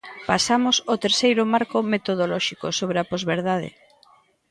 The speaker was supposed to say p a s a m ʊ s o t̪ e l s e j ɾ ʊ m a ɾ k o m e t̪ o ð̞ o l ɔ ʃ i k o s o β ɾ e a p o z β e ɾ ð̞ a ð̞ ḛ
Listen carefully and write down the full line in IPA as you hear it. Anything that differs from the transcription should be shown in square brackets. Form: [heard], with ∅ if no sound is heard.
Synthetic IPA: p a s a m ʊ s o t̪ e [ɾ] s e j ɾ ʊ m a ɾ k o m e t̪ o ð̞ o l ɔ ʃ i k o s o β ɾ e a p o z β e ɾ ð̞ a ð̞ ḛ